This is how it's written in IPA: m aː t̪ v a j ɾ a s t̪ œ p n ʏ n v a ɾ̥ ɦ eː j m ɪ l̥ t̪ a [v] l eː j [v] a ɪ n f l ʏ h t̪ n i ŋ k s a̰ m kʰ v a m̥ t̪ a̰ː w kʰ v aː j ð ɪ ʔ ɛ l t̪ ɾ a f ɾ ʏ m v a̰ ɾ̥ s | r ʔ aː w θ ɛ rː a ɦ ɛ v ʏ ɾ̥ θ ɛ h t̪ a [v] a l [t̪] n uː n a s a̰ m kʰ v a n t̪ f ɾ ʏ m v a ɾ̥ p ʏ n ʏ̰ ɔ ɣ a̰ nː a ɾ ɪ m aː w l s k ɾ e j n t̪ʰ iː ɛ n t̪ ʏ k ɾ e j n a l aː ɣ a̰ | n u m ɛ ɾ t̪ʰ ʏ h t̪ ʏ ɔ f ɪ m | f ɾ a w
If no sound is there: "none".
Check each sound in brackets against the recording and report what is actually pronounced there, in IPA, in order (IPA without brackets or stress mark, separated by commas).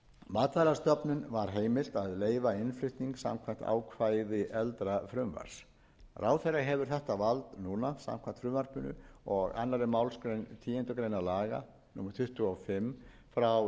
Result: ð, v, v, t̪